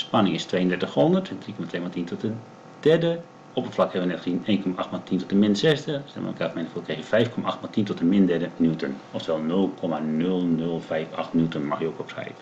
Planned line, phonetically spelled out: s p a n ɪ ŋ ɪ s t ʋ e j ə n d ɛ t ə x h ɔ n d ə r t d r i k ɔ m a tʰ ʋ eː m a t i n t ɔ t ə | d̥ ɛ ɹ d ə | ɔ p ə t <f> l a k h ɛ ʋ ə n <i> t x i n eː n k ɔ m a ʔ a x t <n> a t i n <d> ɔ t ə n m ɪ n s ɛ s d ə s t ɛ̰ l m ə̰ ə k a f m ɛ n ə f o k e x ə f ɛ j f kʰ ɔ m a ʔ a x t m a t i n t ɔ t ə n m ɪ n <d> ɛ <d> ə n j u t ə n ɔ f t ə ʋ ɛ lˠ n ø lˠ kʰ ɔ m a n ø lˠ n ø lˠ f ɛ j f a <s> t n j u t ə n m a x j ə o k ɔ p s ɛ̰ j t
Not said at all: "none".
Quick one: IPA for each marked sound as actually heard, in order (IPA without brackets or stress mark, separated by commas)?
f, ɛ, m, t, d, d, x